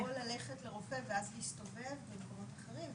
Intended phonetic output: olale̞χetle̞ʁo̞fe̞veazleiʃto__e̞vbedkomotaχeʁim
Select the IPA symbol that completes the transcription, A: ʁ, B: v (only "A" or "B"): B